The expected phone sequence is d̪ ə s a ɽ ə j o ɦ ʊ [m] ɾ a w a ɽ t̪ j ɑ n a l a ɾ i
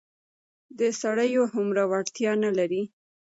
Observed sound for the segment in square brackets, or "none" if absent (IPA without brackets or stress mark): m